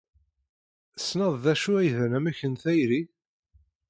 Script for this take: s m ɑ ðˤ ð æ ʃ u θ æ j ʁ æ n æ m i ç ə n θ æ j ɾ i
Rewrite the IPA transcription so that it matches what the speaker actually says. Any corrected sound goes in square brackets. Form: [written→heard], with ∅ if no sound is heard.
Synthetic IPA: s [m→n] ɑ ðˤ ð æ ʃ u [θ→∅] æ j [ʁ→ð] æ n æ m [i→æ] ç ə n θ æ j ɾ i